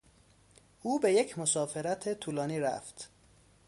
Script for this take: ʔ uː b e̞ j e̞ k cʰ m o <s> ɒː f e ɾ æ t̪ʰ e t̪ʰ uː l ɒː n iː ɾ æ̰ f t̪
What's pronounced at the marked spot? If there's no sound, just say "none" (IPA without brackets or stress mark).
s